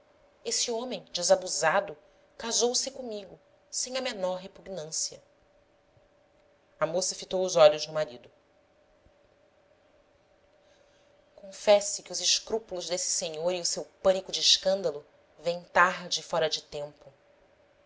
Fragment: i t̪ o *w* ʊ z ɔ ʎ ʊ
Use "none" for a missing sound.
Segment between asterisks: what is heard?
w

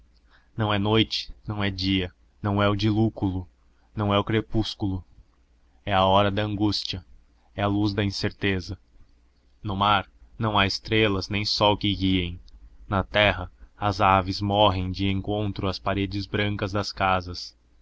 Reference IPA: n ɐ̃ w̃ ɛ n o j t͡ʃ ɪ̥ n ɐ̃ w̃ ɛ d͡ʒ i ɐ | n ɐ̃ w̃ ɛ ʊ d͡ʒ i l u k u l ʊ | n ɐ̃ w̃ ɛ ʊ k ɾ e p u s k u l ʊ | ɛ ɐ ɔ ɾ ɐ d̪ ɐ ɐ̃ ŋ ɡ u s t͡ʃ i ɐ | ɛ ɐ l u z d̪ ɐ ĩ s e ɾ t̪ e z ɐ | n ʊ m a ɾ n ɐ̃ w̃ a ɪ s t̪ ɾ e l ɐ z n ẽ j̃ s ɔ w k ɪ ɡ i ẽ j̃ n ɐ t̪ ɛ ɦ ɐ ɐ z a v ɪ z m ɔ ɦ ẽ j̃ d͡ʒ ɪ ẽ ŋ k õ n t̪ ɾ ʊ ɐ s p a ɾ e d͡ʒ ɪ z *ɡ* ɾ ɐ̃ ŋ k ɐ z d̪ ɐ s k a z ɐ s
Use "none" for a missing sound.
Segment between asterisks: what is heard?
b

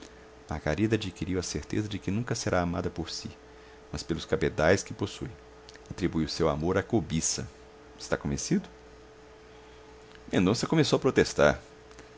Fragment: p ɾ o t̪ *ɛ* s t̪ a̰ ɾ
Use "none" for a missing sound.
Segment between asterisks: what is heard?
e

